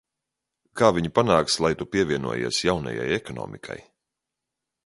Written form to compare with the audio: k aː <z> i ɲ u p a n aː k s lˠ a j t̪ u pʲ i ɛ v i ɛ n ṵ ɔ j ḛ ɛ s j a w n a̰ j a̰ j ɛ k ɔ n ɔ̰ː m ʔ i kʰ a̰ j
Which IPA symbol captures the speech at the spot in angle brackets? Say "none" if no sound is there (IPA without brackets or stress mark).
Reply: v